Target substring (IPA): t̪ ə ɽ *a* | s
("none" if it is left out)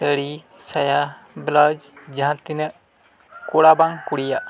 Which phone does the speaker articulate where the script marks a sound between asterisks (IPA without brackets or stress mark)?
i